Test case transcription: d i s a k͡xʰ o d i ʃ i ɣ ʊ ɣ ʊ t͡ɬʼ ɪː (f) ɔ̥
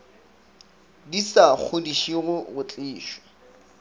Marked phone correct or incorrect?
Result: incorrect